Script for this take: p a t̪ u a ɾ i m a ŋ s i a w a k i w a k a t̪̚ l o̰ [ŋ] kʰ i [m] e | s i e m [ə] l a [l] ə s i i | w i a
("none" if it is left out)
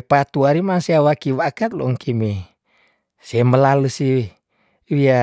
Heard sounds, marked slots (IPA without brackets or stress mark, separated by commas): ŋ, m, ə, l